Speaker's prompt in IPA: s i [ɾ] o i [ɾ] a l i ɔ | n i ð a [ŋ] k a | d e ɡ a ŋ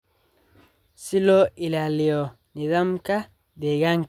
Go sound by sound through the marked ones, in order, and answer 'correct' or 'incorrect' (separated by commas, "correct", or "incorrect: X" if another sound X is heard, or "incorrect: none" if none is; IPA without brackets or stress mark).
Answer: incorrect: l, incorrect: l, incorrect: m